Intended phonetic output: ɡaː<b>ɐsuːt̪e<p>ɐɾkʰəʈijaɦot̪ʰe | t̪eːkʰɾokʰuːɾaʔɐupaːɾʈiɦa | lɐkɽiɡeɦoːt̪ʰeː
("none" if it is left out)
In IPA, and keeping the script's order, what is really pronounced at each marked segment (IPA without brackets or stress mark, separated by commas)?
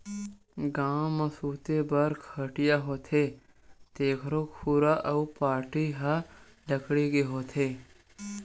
m, b